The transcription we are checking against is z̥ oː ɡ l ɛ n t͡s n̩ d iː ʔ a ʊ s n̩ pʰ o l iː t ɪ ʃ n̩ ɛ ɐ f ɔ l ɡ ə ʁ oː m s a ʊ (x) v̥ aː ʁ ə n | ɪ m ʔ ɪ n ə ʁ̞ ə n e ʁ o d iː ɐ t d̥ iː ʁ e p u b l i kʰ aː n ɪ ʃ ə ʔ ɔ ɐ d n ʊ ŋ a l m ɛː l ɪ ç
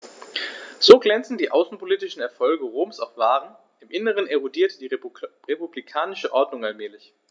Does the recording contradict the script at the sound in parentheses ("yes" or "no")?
yes